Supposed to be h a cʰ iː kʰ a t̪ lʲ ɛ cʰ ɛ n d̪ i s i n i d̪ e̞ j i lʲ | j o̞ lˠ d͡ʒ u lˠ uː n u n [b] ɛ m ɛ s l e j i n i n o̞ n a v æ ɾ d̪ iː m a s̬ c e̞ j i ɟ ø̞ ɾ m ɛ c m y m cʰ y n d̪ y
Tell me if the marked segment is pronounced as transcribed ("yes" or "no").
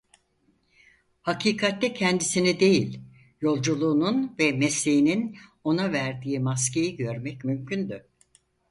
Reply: no